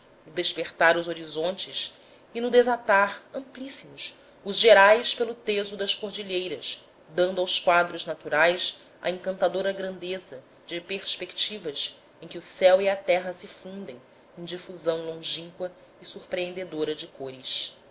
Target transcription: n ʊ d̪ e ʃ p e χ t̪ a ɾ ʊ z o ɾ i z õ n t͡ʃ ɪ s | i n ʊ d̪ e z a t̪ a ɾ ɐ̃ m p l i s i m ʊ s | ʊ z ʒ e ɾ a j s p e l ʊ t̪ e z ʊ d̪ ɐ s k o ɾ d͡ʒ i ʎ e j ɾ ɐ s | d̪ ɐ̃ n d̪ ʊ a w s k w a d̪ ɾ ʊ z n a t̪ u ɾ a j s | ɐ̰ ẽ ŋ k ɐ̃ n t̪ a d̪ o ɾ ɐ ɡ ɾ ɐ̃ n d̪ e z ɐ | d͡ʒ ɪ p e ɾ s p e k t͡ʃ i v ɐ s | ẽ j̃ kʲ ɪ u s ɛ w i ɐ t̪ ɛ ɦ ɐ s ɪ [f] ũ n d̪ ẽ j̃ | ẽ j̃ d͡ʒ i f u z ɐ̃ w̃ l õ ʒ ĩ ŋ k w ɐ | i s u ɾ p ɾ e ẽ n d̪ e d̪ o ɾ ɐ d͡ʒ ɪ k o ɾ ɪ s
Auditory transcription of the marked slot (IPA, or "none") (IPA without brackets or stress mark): f